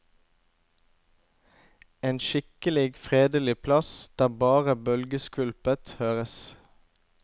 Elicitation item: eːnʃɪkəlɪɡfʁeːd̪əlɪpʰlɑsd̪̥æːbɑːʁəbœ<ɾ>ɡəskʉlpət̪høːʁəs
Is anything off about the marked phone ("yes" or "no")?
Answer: yes